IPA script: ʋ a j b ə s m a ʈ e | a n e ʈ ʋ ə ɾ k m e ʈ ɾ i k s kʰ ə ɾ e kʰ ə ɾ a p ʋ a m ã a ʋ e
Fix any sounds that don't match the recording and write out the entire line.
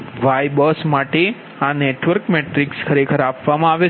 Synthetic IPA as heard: ʋ a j b ə s m a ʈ e | a n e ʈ ʋ ə ɾ k m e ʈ ɾ i k s kʰ ə ɾ e kʰ ə ɾ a p ʋ a m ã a ʋ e